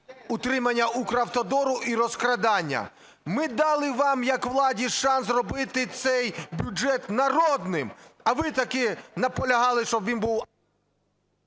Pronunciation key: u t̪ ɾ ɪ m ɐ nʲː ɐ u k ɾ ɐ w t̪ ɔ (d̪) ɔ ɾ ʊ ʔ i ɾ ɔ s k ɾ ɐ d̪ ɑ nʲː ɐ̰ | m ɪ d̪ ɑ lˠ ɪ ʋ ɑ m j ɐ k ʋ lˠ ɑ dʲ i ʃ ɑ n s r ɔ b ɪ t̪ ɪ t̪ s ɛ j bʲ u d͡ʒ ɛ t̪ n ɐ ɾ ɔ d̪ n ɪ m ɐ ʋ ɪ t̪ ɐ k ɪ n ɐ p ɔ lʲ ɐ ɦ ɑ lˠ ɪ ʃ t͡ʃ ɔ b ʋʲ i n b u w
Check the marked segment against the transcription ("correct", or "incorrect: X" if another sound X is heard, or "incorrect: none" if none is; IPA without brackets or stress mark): correct